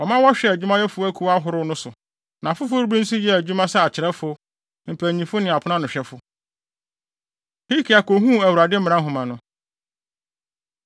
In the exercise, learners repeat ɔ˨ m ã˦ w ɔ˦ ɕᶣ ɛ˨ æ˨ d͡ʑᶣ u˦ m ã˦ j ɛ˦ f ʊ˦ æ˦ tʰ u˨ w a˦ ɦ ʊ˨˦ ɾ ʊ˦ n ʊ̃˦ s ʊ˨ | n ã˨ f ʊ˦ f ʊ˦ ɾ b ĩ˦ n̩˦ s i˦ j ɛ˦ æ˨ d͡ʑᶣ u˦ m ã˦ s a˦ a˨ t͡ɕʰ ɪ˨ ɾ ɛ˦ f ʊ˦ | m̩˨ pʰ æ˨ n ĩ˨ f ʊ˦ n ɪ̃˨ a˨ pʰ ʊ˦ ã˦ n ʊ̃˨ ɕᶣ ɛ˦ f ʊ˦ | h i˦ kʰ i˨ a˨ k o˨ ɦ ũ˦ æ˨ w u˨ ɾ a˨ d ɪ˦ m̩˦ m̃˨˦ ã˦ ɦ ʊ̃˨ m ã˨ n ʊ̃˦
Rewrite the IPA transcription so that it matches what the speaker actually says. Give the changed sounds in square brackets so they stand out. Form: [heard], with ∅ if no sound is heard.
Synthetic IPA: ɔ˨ m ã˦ w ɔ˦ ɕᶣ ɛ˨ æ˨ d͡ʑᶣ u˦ m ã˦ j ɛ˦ f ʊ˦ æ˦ [kʰ] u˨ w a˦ ɦ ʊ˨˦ ɾ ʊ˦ n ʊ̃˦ s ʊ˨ | n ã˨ f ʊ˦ f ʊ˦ ɾ b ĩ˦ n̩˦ s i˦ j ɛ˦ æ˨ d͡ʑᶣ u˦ m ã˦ s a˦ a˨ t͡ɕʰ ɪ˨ ɾ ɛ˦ f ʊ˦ | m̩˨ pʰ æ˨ [ɲ] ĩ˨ f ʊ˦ n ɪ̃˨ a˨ pʰ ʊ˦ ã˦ n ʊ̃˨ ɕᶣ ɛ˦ f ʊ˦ | h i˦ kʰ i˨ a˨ k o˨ ɦ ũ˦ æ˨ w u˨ ɾ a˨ d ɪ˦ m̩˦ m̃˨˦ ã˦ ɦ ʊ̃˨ m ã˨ n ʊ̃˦